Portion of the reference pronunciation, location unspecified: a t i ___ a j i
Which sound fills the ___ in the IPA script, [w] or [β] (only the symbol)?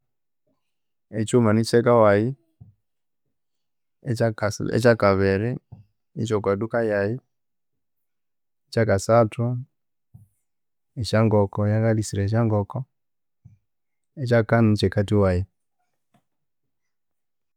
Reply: w